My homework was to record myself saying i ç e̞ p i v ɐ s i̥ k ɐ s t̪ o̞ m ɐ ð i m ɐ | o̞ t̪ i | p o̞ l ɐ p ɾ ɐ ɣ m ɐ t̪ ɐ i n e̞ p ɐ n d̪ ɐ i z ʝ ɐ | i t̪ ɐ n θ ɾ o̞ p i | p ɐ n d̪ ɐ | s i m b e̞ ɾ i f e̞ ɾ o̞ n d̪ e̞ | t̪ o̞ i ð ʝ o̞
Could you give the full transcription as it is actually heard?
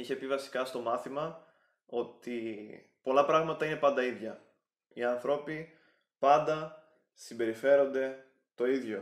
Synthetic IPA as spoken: i ç e̞ p i v ɐ s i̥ k ɐ s t̪ o̞ m ɐ θ i m ɐ | o̞ t̪ i | p o̞ l ɐ p ɾ ɐ ɣ m ɐ t̪ ɐ i n e̞ p ɐ n d̪ ɐ i ð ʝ ɐ | i ɐ n θ ɾ o̞ p i | p ɐ n d̪ ɐ | s i m b e̞ ɾ i f e̞ ɾ o̞ n d̪ e̞ | t̪ o̞ i ð ʝ o̞